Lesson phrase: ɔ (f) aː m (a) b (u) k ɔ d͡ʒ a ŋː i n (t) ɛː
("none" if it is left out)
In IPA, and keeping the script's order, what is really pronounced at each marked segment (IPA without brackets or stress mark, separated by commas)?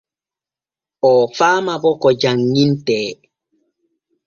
f, a, ɔ, t